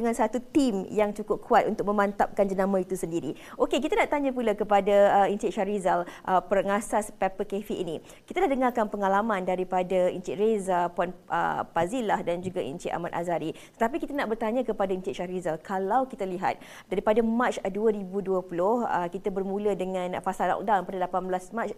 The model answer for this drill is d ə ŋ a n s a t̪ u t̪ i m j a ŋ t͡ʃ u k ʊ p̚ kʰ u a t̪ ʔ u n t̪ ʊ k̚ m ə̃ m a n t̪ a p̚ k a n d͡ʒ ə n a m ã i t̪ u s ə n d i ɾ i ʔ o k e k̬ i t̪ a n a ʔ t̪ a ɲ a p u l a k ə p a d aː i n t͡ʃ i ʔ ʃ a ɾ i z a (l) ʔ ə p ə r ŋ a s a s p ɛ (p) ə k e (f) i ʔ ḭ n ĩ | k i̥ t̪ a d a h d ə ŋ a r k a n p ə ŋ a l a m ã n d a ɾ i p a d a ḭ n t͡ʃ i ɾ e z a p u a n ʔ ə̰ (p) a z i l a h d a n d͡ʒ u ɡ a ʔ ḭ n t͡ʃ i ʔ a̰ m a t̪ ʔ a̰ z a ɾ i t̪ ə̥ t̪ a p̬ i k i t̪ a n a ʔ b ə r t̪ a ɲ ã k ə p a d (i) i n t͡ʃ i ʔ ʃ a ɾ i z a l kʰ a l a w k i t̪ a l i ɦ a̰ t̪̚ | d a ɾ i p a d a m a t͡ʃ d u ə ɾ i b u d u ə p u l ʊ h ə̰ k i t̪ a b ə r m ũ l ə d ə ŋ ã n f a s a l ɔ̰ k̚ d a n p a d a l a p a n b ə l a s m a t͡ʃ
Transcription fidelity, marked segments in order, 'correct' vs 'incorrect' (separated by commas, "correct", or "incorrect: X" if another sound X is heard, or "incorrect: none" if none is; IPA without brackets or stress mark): correct, correct, correct, correct, incorrect: a